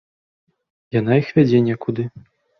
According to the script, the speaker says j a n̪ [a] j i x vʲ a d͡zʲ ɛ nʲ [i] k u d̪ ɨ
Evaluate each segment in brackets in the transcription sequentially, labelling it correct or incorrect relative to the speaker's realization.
correct, incorrect: ɛ

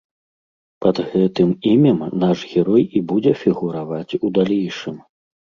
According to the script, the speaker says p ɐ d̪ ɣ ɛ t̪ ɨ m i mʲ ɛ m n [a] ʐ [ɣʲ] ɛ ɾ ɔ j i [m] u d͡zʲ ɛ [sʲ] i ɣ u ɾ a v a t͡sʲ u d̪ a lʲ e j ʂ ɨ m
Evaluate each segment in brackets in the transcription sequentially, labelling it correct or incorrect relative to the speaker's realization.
correct, correct, incorrect: b, incorrect: fʲ

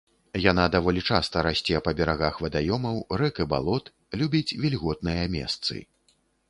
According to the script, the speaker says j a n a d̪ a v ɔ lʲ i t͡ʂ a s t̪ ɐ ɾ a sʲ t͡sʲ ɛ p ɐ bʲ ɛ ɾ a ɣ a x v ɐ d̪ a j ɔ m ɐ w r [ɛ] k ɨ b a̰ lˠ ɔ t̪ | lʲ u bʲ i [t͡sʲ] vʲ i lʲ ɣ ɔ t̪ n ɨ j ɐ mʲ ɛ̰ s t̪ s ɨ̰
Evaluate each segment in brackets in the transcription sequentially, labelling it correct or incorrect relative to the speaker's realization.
correct, correct

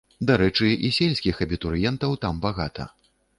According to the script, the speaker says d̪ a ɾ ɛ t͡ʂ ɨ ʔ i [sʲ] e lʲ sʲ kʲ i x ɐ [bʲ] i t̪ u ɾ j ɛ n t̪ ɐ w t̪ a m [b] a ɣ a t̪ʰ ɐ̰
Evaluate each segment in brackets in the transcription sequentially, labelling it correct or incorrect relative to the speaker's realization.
correct, correct, correct

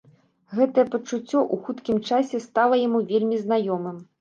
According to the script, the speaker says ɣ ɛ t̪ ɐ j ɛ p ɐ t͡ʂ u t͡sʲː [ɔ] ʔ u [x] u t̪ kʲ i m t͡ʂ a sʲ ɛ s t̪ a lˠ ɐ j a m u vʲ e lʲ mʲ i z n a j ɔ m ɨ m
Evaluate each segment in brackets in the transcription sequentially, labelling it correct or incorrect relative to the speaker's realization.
correct, correct

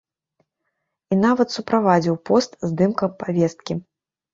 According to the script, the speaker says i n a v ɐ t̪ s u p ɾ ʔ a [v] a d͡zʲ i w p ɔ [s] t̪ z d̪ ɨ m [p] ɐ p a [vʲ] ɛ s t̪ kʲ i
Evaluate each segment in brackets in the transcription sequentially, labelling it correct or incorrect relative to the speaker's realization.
correct, correct, incorrect: k, correct

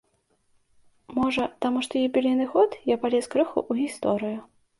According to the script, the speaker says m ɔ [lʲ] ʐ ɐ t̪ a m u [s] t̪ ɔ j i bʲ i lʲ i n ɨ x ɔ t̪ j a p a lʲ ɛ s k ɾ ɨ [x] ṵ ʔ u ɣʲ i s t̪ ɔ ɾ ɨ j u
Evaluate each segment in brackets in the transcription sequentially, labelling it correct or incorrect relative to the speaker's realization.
incorrect: none, incorrect: ʂ, correct

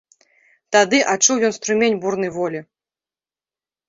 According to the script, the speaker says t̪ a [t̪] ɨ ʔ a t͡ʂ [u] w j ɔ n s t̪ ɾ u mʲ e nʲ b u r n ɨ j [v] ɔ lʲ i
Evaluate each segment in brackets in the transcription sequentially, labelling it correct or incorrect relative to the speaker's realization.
incorrect: d̪, correct, correct

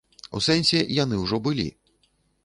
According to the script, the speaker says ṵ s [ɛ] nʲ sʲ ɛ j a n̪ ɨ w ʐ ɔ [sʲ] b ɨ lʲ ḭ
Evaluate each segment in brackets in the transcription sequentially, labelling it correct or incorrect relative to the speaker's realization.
correct, incorrect: none

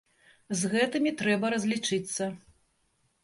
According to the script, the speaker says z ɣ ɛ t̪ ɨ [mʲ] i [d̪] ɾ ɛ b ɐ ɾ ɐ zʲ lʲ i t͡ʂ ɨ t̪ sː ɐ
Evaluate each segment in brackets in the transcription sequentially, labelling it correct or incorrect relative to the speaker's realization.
correct, incorrect: t̪

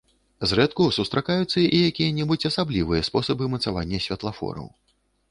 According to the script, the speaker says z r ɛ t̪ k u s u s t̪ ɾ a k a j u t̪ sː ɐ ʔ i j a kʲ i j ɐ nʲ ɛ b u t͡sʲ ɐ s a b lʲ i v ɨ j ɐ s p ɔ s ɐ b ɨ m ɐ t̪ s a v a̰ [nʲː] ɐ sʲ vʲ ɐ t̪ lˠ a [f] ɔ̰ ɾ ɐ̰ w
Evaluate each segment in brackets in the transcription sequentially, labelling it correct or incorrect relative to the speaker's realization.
correct, correct

